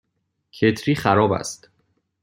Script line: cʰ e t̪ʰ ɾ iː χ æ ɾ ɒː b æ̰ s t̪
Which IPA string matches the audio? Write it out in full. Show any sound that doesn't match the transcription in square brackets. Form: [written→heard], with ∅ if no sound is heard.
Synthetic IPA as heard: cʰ e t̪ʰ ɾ iː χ æ ɾ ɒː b æ̰ s t̪